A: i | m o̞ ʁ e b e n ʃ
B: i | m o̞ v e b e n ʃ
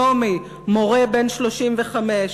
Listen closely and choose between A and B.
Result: A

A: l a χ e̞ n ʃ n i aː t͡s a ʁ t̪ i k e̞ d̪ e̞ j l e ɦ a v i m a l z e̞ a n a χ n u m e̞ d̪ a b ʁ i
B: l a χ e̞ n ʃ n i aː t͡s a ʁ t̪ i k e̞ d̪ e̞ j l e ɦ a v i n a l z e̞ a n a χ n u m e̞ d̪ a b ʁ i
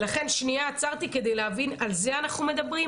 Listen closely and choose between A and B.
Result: B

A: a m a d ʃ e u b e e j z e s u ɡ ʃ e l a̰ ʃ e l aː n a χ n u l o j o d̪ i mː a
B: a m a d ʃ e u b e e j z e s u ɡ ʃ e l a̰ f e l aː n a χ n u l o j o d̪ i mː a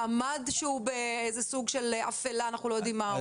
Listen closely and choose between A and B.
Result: B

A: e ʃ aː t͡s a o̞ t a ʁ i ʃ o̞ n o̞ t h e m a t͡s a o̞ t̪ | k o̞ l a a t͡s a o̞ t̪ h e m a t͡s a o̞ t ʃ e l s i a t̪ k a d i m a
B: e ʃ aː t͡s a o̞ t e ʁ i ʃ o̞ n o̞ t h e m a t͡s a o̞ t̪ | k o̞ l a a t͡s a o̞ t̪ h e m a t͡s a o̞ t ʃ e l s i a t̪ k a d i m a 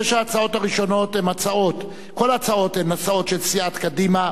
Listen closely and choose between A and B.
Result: A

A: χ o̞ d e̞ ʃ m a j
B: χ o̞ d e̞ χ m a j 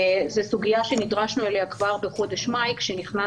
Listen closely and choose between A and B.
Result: A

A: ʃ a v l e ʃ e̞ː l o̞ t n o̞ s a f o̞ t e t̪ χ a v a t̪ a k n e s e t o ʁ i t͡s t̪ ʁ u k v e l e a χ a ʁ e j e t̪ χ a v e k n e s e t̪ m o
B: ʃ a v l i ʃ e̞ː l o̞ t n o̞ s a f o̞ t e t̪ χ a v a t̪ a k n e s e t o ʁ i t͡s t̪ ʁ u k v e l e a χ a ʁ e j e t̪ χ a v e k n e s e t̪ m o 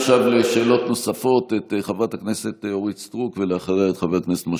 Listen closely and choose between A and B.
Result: A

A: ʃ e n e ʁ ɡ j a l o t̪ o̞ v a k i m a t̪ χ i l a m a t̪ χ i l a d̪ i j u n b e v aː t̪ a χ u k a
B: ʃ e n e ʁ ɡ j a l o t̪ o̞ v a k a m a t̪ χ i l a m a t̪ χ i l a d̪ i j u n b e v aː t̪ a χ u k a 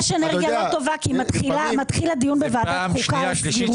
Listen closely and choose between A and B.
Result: A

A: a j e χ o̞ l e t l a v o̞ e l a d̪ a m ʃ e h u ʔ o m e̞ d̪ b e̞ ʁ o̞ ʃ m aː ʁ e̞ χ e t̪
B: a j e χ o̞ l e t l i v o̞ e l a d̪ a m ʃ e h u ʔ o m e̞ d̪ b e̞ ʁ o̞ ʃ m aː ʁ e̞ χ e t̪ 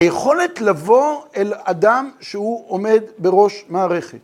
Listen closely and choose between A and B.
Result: A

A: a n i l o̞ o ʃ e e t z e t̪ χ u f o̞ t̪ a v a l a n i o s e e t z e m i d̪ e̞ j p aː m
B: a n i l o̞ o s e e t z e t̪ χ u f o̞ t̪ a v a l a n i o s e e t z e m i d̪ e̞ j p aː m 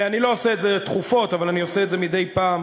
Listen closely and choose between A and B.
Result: B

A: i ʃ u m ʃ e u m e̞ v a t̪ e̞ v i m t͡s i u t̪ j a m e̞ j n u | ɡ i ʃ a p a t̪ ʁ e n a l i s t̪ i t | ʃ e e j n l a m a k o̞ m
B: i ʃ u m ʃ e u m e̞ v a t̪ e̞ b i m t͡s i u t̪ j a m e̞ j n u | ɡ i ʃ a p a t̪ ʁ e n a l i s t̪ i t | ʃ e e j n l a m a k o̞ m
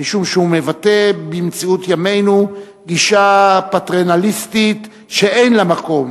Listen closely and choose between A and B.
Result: B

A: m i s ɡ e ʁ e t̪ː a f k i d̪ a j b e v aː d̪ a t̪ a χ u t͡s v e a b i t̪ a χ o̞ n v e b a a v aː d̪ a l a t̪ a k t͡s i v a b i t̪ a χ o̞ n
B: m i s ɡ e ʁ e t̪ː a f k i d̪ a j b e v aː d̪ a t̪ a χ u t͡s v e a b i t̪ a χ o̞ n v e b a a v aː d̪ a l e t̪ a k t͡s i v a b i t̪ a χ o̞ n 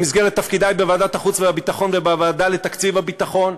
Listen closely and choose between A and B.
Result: B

